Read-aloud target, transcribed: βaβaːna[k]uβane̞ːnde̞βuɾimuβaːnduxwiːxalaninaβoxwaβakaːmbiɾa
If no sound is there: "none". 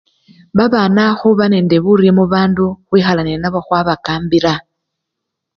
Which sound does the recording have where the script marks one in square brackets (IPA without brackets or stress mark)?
x